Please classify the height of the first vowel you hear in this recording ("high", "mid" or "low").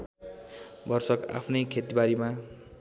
mid